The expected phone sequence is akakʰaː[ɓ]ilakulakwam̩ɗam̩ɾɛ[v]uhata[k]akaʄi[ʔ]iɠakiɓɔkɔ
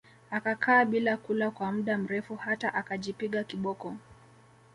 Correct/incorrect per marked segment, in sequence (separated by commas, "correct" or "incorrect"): correct, incorrect, incorrect, incorrect